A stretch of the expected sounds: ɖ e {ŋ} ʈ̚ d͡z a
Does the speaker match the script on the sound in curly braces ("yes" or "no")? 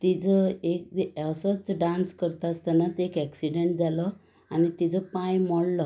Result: no